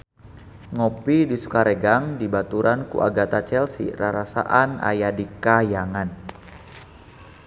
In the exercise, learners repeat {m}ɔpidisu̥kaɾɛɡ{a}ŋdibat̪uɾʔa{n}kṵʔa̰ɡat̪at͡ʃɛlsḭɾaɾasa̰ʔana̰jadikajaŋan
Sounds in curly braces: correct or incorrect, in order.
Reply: incorrect: ŋ, correct, correct

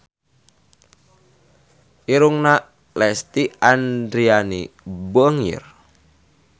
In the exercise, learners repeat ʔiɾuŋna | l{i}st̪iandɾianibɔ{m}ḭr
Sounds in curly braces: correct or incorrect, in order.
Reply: incorrect: ɛ, incorrect: ŋ

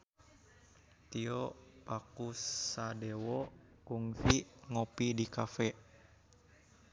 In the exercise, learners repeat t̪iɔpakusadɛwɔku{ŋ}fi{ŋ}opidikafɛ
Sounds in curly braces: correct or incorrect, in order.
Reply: correct, correct

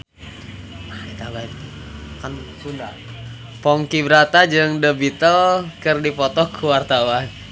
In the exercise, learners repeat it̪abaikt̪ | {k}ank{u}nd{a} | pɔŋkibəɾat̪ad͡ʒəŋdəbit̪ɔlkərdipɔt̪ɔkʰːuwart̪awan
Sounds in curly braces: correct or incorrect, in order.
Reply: correct, correct, correct

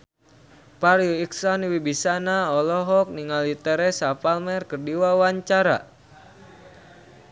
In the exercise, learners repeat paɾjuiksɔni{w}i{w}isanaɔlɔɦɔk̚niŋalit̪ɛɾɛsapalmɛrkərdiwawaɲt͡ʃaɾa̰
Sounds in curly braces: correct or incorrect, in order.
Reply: correct, incorrect: b

